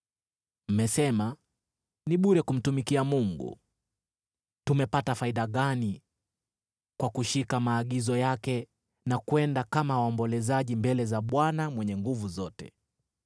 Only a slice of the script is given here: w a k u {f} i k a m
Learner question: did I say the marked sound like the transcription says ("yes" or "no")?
no